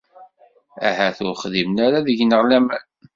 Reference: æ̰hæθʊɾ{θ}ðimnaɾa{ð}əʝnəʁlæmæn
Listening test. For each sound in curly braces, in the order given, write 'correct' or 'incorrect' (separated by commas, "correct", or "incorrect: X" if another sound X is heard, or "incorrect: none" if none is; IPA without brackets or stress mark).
incorrect: χ, correct